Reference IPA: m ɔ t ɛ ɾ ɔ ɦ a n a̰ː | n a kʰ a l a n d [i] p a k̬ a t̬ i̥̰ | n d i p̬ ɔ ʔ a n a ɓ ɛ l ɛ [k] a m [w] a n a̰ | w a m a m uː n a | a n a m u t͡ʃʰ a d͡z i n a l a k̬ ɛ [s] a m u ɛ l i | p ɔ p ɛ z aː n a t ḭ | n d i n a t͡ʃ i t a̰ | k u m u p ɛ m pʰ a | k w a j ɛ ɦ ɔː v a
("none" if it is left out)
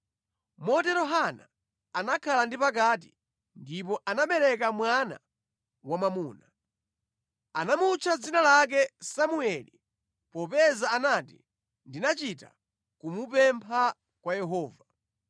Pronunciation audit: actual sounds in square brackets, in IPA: i, k, w, s

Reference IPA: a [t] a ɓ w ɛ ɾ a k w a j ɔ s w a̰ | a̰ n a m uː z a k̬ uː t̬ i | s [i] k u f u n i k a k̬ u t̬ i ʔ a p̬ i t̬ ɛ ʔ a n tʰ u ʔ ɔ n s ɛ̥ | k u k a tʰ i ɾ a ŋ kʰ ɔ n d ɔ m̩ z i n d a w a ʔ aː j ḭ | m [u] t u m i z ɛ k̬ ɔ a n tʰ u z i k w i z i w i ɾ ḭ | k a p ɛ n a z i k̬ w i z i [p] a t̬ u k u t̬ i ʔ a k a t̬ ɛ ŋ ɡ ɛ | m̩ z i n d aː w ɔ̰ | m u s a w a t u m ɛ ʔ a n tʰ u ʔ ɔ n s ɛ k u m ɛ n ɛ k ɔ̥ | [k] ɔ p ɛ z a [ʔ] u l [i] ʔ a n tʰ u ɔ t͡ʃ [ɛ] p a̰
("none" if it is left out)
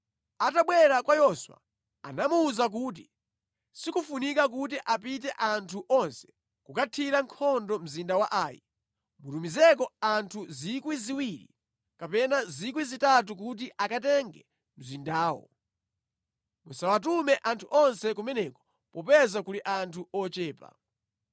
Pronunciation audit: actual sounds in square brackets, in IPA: t, i, u, t, p, k, i, ɛː

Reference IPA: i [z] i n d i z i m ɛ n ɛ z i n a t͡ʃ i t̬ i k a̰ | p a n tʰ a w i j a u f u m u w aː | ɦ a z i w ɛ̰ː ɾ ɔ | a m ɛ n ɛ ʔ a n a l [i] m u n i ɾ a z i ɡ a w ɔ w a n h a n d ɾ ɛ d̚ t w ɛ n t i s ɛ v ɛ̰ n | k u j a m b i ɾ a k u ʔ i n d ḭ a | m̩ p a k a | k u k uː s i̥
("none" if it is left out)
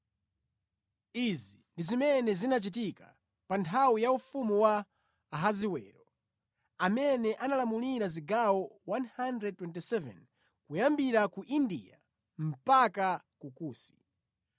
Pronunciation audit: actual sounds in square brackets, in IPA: z, a

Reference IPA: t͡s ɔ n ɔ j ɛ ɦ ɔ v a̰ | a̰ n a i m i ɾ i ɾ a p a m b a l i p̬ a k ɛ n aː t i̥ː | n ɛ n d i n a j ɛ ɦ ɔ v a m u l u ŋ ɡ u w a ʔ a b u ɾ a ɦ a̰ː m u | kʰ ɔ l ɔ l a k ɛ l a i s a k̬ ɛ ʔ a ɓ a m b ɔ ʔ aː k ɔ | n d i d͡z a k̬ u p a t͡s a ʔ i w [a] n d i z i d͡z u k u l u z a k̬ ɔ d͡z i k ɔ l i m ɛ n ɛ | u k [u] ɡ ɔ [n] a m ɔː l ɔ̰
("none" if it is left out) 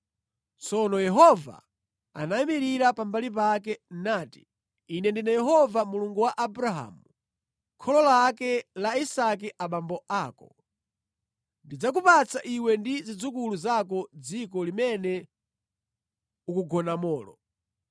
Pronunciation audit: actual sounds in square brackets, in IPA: ɛ, u, n

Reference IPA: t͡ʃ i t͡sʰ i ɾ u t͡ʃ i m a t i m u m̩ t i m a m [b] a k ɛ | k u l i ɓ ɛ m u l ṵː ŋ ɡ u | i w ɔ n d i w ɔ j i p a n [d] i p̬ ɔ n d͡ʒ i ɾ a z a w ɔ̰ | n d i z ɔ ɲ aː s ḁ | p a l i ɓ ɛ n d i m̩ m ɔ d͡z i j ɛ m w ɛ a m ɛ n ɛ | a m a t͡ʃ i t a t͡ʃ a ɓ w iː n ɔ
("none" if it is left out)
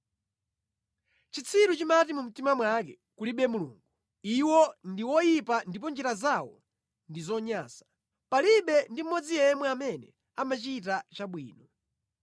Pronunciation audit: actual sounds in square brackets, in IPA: w, d

